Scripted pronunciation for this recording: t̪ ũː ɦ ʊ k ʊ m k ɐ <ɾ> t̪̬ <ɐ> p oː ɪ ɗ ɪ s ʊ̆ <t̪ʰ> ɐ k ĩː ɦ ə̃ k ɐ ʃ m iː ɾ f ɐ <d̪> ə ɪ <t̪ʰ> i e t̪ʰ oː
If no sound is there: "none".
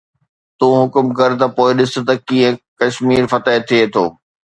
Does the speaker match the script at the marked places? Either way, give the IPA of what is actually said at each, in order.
ɾ, ɐ, t̪, t̪, t̪ʰ

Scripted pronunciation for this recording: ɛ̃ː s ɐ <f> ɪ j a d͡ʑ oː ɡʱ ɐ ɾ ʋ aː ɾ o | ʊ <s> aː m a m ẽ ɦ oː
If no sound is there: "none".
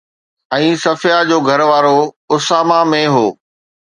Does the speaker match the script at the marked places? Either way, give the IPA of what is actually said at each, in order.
f, s

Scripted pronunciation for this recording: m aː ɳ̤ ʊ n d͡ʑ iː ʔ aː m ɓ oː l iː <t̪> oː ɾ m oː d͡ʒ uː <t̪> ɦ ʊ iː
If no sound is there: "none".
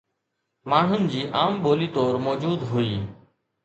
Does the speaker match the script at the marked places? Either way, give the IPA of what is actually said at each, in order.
t̪, d̪

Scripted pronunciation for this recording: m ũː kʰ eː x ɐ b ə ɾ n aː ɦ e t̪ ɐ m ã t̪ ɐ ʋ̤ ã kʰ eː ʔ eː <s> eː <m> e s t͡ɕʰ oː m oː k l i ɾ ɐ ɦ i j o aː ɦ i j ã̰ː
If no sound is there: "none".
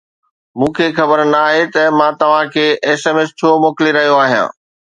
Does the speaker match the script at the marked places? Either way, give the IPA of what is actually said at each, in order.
s, m

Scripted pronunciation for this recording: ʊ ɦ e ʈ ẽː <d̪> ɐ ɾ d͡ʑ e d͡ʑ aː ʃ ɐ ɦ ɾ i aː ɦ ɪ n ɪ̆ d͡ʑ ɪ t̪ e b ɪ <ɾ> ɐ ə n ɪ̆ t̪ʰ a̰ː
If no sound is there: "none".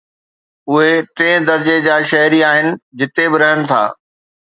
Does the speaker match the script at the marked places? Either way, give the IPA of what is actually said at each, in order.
d̪, ɾ

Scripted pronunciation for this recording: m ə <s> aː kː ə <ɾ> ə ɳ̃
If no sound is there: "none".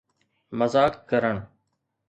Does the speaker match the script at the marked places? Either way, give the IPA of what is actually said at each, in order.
z, ɾ

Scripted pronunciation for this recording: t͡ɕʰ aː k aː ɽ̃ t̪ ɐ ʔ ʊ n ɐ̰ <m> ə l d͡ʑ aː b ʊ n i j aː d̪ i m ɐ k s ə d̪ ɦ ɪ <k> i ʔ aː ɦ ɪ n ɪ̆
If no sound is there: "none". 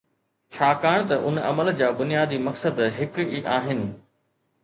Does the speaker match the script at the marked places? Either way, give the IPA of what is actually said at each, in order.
m, k

